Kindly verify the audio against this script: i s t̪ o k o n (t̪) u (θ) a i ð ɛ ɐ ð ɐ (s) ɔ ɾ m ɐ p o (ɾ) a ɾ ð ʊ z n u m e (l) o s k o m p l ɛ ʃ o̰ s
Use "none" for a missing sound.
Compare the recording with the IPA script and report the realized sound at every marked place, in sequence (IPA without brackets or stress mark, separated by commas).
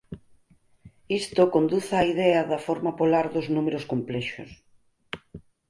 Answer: d̪, θ, f, l, ɾ